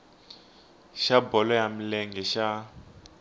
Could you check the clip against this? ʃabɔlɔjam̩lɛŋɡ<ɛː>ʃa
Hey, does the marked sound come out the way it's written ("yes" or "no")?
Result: no